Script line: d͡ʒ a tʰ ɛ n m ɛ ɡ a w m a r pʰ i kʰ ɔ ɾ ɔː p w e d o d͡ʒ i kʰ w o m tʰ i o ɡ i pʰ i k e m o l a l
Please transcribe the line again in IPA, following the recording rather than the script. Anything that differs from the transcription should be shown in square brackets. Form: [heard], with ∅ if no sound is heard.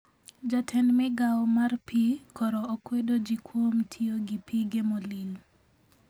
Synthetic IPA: d͡ʒ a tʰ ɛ n m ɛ ɡ a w m a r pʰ i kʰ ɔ ɾ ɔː [k] w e d o d͡ʒ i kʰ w o m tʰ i o ɡ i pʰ i [ɡ] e m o l [i] l